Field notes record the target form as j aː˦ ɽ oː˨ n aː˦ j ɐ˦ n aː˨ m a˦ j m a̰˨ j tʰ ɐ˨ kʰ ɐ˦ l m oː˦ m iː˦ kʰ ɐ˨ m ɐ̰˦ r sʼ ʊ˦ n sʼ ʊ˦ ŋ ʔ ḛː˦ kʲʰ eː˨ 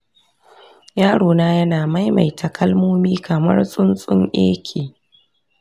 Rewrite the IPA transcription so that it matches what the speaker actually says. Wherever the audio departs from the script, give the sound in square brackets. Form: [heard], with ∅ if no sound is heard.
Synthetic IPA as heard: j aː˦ ɽ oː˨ n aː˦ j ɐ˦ n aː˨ m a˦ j m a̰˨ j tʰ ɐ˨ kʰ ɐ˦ l m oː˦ m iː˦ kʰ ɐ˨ m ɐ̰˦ r sʼ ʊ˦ n sʼ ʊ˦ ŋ ʔ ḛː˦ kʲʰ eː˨